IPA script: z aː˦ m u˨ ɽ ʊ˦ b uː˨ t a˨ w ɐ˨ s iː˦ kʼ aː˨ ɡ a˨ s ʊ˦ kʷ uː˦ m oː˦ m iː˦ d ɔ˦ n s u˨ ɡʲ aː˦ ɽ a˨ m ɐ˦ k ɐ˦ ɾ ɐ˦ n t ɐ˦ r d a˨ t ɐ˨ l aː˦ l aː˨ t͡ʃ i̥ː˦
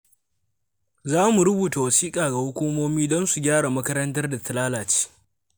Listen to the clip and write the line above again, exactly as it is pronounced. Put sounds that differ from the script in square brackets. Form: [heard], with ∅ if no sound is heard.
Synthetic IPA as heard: z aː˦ m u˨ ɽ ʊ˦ b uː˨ t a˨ w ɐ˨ s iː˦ kʼ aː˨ ɡ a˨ [h] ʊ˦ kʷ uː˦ m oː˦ m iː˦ d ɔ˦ n s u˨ ɡʲ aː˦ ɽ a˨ m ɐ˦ k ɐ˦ ɾ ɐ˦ n t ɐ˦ r d a˨ t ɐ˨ l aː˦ l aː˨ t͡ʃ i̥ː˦